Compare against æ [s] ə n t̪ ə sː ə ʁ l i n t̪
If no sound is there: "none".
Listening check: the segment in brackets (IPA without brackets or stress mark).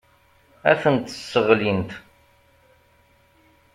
θ